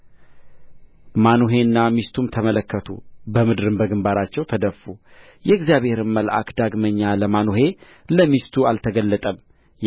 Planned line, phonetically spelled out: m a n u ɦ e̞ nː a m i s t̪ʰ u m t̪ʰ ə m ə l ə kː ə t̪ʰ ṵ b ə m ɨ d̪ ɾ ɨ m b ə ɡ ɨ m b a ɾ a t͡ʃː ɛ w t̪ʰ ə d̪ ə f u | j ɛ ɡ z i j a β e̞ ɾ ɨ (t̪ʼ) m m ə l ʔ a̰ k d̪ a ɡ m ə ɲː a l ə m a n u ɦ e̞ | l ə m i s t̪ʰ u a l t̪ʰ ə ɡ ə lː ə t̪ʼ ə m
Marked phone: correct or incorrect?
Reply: incorrect